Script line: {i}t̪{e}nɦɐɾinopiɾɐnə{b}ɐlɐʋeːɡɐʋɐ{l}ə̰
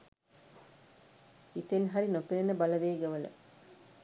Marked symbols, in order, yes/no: yes, yes, yes, yes

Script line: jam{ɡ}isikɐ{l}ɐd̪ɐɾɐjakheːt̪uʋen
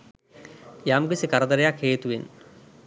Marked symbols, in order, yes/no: yes, no

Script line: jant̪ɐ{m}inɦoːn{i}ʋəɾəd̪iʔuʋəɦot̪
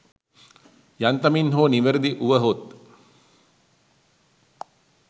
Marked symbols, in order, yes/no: yes, yes

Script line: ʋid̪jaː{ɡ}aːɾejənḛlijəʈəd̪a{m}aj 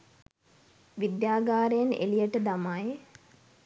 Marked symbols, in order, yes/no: yes, yes

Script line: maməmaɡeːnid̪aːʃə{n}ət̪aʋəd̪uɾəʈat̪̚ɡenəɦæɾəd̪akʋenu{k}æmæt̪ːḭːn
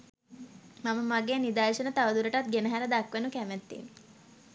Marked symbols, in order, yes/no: yes, yes

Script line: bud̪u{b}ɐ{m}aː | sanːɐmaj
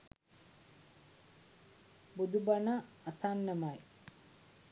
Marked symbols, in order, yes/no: yes, no

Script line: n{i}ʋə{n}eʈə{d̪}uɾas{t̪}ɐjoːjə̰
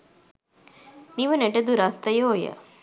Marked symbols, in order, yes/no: yes, yes, yes, yes

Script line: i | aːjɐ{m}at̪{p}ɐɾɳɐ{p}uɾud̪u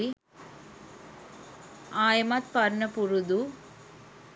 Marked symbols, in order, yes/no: yes, yes, yes

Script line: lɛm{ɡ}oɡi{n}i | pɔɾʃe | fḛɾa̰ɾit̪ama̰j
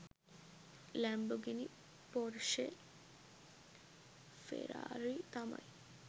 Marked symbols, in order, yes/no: no, yes

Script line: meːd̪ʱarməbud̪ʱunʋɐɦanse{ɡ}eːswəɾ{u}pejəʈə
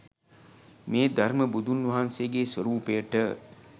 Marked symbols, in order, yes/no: yes, no

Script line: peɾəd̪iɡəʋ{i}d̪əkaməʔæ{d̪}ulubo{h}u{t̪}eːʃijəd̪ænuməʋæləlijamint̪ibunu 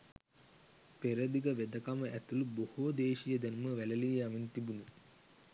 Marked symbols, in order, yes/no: no, no, yes, no

